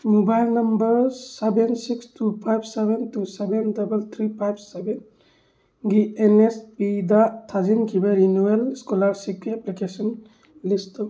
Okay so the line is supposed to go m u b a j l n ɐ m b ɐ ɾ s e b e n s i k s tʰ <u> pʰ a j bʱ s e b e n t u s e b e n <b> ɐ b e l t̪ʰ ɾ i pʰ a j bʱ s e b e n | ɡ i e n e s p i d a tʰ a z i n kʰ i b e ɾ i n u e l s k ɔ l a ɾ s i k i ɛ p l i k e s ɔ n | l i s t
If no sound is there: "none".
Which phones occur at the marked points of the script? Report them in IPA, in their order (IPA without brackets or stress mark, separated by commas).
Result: u, d